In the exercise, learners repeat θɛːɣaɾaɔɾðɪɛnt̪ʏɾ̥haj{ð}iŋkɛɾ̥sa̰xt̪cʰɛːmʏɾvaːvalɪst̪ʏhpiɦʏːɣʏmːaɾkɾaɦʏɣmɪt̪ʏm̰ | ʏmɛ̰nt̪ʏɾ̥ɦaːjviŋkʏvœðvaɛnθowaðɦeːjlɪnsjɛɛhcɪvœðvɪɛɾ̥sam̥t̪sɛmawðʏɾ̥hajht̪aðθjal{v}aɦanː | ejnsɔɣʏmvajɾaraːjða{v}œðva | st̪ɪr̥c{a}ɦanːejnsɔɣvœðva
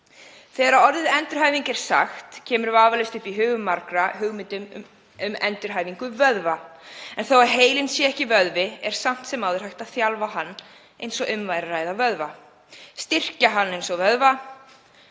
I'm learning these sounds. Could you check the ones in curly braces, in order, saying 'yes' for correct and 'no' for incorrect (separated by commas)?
no, yes, yes, yes